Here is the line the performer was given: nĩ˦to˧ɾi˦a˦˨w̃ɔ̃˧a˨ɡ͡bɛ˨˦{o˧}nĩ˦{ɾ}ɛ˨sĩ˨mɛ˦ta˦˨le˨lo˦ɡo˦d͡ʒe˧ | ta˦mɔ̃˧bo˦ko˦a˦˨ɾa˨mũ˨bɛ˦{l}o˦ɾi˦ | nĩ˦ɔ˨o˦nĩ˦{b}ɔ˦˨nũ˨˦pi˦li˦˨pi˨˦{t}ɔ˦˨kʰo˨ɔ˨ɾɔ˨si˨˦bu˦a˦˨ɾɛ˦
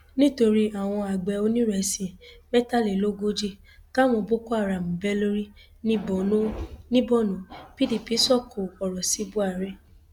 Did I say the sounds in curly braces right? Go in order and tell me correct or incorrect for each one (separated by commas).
correct, correct, correct, correct, incorrect